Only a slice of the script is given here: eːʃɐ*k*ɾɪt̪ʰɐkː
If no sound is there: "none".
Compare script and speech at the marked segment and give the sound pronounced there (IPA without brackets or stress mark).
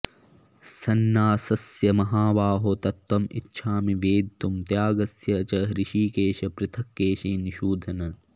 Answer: p